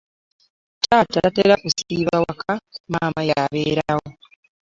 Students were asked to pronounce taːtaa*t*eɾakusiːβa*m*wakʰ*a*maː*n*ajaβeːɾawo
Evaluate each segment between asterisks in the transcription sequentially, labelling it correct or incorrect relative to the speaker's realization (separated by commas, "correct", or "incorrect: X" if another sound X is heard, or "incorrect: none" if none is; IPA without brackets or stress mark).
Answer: correct, incorrect: none, correct, incorrect: m